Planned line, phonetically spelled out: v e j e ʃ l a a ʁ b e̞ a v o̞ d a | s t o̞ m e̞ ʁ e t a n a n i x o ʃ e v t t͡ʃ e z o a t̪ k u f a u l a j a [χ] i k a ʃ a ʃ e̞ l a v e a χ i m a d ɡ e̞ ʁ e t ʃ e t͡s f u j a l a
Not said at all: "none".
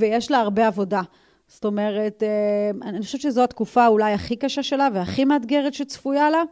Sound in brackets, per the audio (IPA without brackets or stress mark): χ